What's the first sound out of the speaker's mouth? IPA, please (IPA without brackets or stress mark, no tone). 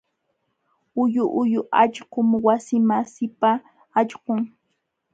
ʊ